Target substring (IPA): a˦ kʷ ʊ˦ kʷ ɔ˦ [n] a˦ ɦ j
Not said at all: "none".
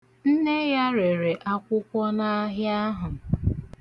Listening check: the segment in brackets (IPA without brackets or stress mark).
n